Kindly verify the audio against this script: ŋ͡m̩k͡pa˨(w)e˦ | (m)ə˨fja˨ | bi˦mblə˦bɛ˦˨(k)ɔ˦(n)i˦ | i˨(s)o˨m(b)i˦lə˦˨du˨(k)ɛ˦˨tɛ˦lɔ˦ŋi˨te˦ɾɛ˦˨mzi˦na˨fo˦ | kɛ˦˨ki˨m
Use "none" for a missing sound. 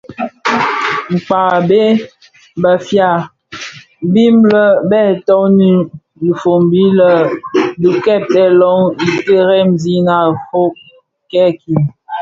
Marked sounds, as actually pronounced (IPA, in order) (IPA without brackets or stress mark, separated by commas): b, b, t, n, f, b, k